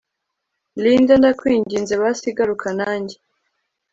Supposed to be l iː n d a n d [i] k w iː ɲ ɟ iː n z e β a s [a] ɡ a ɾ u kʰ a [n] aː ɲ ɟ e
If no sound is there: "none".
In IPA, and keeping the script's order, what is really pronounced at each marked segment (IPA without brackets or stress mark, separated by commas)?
a, i, n